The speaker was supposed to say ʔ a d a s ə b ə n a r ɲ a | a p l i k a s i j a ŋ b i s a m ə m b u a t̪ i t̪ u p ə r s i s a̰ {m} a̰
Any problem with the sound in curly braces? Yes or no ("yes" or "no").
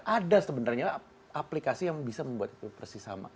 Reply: no